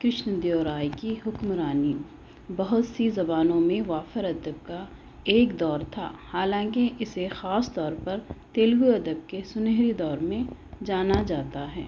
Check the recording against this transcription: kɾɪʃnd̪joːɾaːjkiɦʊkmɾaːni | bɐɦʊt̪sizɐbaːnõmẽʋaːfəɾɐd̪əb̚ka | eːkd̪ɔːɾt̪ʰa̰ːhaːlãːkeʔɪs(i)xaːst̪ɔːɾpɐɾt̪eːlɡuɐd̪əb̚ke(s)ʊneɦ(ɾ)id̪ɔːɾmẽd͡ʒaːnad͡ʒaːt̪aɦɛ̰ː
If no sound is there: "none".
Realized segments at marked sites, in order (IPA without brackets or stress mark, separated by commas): e, s, ɾ